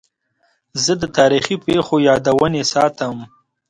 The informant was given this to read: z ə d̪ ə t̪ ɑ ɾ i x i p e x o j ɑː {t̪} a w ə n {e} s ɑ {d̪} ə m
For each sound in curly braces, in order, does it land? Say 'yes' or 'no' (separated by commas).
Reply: no, yes, no